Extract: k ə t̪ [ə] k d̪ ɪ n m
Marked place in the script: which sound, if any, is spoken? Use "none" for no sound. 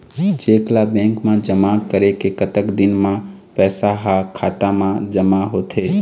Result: ə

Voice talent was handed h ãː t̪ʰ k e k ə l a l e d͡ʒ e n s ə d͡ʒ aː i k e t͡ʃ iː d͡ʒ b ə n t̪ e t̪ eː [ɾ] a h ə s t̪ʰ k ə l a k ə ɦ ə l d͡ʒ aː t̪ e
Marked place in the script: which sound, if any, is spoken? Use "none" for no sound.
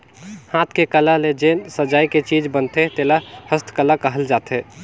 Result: l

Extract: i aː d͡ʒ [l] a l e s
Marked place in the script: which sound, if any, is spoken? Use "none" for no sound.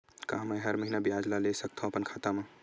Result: l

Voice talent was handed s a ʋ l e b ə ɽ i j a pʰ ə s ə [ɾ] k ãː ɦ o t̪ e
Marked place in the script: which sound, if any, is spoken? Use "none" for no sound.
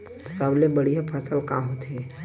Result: l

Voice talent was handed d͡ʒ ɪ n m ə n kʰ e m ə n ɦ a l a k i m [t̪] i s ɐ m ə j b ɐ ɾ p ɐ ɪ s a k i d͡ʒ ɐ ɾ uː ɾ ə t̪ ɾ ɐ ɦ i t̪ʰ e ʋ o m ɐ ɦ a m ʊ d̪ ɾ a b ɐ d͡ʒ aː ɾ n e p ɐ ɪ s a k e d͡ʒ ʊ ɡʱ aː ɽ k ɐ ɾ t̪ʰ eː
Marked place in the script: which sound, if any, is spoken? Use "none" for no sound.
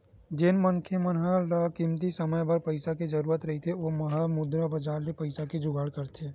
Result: t̪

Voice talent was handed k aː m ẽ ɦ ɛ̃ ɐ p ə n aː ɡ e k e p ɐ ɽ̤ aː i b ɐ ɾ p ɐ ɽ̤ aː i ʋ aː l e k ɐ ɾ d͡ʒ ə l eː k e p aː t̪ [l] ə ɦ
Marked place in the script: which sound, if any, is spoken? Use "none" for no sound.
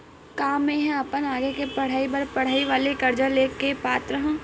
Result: ɾ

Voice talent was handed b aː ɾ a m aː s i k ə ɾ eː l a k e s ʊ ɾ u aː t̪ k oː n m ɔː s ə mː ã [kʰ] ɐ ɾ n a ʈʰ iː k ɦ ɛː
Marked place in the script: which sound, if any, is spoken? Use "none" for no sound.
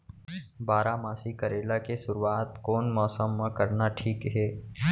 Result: k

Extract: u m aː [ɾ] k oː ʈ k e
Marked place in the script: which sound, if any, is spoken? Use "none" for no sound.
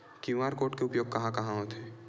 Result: ɾ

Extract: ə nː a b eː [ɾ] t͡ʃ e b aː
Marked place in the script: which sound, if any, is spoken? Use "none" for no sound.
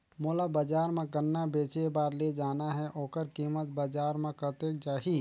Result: none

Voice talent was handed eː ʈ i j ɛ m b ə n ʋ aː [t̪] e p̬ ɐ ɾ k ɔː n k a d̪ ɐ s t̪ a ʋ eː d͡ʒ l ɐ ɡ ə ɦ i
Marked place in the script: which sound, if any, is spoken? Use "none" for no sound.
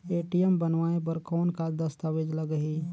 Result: none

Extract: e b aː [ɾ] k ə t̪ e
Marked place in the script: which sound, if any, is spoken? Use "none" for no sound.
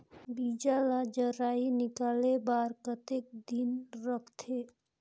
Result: ɾ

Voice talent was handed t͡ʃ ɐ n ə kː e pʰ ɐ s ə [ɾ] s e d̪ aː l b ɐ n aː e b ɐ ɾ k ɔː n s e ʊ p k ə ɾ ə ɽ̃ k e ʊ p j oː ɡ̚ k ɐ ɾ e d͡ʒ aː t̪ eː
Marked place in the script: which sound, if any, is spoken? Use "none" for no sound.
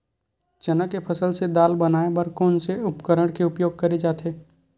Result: l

